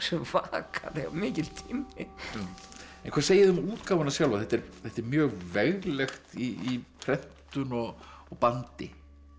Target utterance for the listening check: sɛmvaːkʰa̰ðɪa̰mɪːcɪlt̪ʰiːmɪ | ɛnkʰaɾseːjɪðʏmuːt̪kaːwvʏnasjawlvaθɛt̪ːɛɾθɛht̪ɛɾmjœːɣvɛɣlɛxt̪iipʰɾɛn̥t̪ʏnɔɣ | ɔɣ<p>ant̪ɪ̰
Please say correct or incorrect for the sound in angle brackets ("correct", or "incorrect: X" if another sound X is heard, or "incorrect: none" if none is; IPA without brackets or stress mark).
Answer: correct